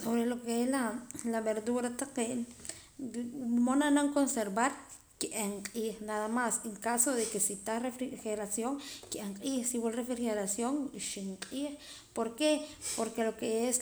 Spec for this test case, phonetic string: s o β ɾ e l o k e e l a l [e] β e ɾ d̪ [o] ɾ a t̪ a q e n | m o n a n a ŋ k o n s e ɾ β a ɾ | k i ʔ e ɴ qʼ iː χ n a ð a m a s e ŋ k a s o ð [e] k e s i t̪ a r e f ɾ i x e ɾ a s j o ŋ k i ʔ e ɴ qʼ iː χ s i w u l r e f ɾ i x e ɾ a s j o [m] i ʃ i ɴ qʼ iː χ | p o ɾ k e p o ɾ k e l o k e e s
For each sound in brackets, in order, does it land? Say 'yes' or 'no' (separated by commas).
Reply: no, no, yes, no